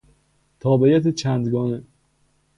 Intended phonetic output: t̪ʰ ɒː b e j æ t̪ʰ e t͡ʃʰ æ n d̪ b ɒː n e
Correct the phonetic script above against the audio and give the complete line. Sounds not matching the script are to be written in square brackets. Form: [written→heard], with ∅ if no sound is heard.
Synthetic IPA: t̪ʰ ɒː b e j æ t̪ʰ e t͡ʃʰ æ n d̪ [b→ɡ] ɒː n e